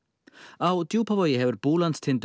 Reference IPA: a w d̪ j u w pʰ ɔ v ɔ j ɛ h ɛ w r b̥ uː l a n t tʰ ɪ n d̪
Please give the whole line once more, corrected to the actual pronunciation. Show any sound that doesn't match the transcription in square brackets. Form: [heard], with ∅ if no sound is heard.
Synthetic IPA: a w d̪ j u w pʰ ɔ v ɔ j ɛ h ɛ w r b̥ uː l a n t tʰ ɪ n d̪